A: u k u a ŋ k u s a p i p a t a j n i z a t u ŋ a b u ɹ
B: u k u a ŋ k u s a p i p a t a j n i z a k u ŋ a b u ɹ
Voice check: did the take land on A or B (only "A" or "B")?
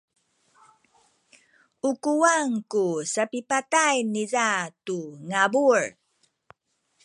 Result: A